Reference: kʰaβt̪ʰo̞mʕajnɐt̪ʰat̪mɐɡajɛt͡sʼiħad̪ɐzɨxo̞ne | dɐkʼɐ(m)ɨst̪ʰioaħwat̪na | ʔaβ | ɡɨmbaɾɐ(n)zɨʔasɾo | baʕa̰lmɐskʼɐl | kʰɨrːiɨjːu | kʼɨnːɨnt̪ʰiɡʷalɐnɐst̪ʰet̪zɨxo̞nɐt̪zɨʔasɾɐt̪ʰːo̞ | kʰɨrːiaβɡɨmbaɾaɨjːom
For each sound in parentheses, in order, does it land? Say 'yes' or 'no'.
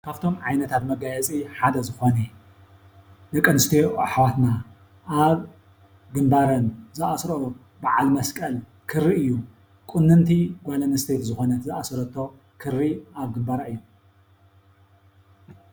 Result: no, yes

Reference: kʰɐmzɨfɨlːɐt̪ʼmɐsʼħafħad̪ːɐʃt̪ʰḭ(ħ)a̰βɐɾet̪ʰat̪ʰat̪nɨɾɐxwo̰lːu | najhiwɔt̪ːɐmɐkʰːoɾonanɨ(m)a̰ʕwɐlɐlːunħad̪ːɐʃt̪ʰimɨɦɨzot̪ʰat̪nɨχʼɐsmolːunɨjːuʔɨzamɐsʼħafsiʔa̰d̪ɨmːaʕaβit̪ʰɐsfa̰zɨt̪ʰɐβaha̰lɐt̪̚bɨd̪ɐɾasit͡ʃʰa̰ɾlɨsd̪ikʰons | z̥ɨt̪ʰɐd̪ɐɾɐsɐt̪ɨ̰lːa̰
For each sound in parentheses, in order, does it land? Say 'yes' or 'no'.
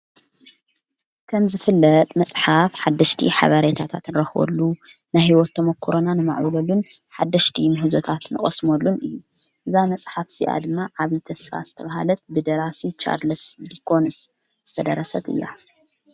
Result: yes, yes

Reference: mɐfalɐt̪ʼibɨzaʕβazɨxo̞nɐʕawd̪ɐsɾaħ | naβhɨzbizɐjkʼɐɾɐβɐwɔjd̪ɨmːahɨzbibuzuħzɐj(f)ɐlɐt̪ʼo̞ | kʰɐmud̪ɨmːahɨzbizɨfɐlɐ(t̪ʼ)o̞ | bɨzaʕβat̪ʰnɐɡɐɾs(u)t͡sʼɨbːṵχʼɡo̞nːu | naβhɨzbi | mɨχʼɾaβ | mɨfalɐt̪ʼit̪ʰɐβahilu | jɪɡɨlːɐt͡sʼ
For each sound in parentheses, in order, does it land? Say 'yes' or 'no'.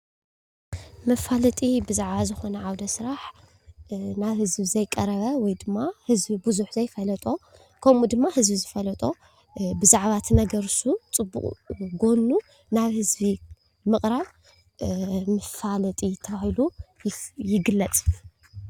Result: yes, yes, yes

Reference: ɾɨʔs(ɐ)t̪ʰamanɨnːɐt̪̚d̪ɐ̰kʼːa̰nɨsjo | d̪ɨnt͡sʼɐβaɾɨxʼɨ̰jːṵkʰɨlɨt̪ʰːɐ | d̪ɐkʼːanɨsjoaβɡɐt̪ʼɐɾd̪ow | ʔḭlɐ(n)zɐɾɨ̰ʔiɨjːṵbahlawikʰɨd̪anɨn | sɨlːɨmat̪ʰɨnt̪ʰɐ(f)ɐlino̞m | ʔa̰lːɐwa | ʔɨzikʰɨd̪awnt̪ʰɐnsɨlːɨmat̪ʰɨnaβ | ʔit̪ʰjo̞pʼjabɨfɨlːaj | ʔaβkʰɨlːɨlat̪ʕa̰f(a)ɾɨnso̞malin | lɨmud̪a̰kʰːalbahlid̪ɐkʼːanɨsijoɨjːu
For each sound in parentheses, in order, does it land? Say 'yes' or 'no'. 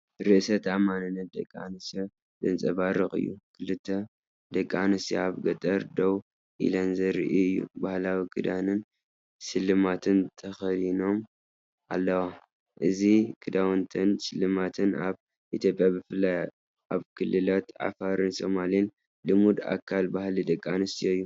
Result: yes, yes, no, yes

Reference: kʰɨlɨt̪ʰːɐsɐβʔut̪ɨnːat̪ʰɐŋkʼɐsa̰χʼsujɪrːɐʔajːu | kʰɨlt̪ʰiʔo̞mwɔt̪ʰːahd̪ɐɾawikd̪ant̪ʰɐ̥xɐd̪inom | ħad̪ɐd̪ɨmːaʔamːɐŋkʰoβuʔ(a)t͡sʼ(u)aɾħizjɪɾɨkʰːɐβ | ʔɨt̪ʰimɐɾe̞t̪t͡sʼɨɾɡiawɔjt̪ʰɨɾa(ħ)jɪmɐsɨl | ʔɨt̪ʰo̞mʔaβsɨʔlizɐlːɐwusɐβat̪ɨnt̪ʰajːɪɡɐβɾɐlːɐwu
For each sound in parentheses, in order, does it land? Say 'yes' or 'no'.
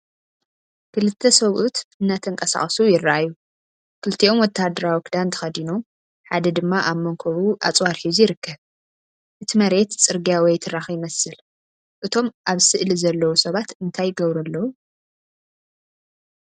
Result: yes, no, no

